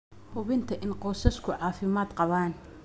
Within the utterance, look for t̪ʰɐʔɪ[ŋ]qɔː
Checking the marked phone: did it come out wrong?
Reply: yes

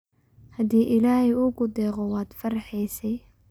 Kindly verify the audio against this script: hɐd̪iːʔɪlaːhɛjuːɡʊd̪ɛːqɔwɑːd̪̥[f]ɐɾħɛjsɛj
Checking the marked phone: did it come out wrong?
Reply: no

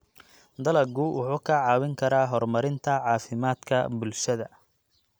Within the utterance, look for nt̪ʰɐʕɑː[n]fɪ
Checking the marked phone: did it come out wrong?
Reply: yes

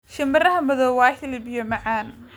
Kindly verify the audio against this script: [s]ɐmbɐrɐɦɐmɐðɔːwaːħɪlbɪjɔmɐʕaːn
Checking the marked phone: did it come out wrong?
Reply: yes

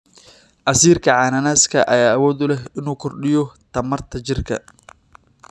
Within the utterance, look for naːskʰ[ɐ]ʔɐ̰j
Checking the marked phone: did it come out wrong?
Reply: no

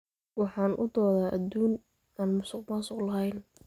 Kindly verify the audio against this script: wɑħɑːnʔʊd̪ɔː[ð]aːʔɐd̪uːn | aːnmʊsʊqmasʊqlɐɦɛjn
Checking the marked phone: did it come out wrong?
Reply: no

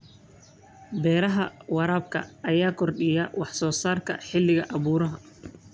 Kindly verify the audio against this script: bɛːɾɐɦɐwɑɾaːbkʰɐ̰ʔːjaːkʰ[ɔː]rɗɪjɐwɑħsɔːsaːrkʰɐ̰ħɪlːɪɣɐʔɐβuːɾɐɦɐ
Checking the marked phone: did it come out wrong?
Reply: yes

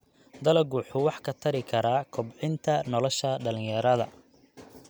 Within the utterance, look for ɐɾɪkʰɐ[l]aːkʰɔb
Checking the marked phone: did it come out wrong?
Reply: yes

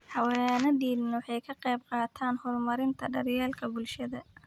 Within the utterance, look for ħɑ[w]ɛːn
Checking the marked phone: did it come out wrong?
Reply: no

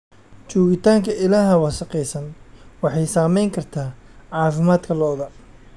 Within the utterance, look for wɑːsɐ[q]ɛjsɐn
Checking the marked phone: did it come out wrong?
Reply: no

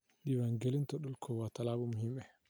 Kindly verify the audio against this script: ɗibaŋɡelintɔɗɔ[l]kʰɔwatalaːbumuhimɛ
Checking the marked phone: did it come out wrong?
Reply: no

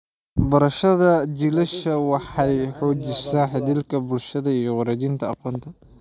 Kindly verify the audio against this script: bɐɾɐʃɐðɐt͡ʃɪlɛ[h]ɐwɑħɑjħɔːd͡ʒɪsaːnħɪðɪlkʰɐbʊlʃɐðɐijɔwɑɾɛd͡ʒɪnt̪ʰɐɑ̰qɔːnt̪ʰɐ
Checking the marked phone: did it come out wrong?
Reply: yes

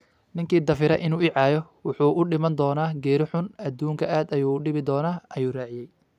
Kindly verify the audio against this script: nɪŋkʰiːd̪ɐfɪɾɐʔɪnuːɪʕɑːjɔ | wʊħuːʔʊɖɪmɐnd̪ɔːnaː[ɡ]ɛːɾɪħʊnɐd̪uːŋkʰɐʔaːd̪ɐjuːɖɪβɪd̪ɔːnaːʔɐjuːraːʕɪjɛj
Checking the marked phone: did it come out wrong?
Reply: no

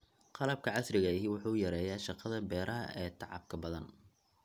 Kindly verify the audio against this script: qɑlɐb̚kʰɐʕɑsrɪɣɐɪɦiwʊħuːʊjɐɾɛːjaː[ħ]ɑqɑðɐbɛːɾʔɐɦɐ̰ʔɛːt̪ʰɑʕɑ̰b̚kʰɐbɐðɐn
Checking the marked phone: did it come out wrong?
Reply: yes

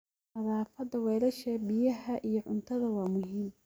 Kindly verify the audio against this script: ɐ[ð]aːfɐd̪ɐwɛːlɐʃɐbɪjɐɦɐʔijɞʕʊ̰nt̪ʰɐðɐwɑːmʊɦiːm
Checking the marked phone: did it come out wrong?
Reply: no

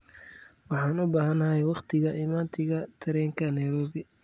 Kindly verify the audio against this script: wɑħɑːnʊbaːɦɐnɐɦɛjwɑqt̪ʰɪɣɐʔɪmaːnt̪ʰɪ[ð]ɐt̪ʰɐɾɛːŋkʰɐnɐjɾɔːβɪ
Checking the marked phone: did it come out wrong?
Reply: yes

